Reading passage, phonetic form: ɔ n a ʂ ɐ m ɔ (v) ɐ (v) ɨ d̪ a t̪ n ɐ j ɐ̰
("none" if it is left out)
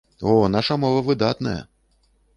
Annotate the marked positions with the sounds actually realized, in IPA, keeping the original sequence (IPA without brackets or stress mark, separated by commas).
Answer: v, v